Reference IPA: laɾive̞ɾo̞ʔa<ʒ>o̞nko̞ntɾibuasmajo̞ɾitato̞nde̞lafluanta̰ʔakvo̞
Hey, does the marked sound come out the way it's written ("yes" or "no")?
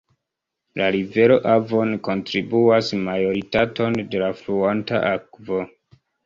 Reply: no